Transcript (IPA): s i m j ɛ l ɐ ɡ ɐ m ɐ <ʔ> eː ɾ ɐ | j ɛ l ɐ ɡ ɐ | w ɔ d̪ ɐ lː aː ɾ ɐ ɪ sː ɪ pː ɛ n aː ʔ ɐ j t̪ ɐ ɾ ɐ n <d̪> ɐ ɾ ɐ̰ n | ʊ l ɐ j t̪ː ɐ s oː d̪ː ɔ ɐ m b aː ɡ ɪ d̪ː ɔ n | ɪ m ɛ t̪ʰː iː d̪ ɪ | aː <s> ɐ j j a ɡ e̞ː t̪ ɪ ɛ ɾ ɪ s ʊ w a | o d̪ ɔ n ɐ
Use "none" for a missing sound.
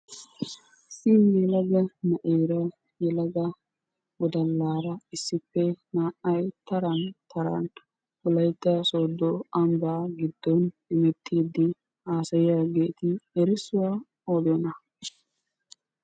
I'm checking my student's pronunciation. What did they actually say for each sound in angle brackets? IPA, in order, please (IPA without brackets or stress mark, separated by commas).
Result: ʔ, t̪, s